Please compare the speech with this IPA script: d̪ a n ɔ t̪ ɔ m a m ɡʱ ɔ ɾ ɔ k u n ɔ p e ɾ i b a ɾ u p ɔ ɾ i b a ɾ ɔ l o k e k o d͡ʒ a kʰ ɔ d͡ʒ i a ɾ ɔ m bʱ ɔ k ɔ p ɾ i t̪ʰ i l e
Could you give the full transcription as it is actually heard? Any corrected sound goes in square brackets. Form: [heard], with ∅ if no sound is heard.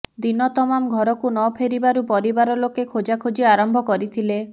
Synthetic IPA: d̪ [i] n ɔ t̪ ɔ m a m ɡʱ ɔ ɾ ɔ k u n ɔ [pʰ] e ɾ i b a ɾ u p ɔ ɾ i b a ɾ ɔ l o k e [kʰ] o d͡ʒ a kʰ [o] d͡ʒ i a ɾ ɔ m bʱ ɔ k ɔ [∅] ɾ i t̪ʰ i l e